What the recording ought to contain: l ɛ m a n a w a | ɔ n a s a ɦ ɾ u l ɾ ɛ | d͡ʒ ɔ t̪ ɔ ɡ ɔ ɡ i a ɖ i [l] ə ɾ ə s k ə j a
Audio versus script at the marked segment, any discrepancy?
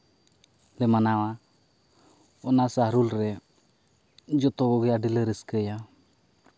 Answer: no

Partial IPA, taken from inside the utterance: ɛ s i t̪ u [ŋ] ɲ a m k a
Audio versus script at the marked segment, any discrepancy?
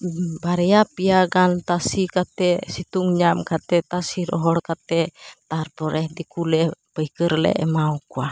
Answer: no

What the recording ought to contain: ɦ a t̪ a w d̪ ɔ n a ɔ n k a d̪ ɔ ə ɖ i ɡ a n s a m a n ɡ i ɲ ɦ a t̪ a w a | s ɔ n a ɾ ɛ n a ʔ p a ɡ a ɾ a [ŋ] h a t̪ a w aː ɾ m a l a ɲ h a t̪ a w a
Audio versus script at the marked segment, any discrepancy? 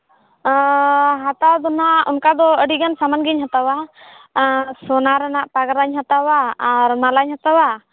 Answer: yes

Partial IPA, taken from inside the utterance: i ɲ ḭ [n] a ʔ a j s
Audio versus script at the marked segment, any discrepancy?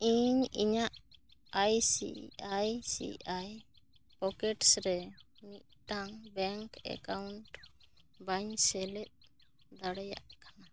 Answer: yes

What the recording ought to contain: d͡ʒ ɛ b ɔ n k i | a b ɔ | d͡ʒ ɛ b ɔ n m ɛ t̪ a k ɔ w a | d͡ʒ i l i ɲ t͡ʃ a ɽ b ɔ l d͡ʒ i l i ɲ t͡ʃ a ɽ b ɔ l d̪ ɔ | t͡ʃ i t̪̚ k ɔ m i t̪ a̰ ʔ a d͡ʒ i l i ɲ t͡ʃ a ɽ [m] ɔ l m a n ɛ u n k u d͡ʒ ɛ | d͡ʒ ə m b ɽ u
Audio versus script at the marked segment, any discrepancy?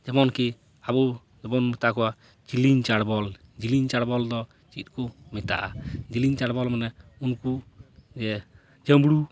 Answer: yes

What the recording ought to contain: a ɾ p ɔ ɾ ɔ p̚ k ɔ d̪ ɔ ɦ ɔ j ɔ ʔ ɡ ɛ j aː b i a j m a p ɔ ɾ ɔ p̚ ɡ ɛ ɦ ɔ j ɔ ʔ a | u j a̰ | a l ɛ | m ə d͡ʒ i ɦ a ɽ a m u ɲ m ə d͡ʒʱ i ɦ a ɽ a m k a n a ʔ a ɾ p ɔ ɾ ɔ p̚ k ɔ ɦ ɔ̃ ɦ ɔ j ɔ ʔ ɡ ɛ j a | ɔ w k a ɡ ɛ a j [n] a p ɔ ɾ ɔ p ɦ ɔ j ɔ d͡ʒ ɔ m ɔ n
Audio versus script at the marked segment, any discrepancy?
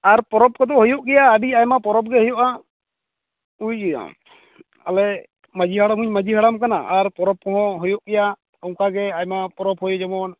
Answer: yes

